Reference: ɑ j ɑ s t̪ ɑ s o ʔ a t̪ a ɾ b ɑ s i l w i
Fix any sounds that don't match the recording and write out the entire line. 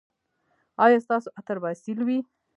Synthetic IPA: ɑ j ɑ s t̪ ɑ s o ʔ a t̪ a ɾ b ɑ s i l w i